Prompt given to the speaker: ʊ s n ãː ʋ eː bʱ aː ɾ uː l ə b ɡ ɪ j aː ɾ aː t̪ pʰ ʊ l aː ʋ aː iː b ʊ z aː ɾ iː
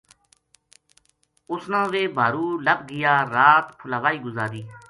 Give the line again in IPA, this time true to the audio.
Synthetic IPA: ʊ s n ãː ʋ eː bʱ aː ɾ uː l ə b ɡ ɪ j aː ɾ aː t̪ pʰ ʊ l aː ʋ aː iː ɡ ʊ z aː ɾ iː